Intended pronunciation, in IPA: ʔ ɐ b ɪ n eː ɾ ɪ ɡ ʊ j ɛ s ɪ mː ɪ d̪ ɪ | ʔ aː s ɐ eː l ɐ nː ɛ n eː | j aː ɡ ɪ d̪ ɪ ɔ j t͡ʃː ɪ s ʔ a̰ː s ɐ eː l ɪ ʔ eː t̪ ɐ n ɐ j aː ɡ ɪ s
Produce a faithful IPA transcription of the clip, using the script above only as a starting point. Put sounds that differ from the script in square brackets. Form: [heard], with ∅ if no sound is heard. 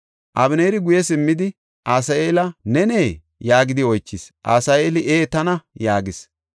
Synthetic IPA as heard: ʔ ɐ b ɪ n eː ɾ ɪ ɡ ʊ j ɛ s ɪ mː ɪ d̪ ɪ | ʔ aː s ɐ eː l ɐ [n] ɛ n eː | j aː ɡ ɪ d̪ ɪ ɔ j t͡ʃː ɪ s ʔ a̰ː s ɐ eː l ɪ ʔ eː t̪ ɐ n ɐ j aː ɡ ɪ s